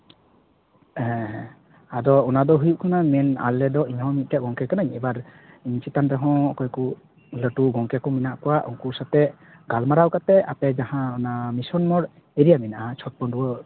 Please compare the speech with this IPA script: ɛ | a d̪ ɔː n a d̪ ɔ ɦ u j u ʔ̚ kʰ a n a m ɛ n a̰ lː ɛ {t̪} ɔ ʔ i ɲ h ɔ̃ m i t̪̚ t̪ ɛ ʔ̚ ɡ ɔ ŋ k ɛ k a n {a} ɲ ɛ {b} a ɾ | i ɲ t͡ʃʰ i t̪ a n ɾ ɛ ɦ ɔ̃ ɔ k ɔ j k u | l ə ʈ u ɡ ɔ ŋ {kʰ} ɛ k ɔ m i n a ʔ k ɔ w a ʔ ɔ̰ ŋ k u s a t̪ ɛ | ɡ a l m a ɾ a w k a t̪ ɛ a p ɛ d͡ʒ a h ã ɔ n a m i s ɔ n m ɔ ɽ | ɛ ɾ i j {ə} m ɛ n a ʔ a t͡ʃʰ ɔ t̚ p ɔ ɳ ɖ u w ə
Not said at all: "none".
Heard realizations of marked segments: d̪, a, b, k, a

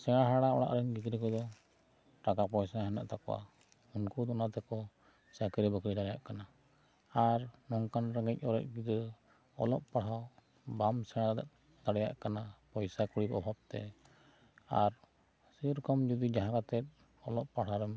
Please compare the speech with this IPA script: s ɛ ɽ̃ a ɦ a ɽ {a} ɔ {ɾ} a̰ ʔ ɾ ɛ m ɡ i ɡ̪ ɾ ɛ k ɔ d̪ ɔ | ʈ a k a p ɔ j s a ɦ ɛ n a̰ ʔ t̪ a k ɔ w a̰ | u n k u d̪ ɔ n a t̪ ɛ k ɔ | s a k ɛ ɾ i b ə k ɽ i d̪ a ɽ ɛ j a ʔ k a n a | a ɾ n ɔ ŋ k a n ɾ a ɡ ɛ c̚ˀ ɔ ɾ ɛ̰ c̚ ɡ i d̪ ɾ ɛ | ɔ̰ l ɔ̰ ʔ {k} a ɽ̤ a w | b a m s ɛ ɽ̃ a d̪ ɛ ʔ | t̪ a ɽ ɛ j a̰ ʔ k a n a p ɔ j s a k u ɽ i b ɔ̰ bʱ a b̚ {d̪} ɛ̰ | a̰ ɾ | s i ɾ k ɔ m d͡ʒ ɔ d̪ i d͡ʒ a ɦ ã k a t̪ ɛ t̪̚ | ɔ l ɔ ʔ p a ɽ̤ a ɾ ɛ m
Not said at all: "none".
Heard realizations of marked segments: a, ɽ, p, t̪

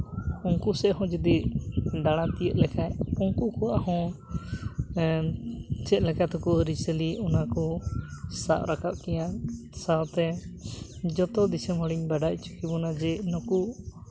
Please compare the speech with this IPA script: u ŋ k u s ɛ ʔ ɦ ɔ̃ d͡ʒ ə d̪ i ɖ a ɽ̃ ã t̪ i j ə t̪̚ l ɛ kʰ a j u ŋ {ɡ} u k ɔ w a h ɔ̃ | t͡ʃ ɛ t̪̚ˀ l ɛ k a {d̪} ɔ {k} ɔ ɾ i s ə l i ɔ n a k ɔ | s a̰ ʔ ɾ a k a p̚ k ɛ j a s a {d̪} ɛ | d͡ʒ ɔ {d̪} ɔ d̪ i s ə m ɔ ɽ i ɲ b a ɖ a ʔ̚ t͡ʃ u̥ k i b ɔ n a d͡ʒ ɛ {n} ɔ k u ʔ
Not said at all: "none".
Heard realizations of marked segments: k, t̪, k, t̪, t̪, n

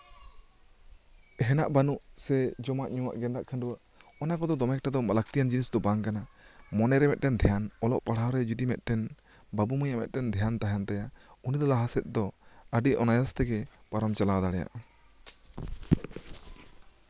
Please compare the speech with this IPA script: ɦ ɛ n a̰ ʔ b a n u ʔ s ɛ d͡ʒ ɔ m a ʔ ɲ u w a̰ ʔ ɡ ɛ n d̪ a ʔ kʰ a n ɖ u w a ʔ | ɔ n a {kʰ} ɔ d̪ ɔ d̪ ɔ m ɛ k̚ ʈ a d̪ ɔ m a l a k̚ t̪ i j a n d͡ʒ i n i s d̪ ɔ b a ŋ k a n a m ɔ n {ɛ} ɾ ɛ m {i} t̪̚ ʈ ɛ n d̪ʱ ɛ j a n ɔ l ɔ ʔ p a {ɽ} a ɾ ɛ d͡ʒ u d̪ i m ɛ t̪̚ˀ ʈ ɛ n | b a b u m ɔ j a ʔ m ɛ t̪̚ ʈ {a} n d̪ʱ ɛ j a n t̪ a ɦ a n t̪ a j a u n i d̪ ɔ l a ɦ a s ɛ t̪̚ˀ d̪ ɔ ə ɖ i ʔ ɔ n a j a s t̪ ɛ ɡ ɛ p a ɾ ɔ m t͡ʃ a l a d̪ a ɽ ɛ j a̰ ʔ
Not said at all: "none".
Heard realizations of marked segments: k, ɛ, ɛ, ɽ, ɛ

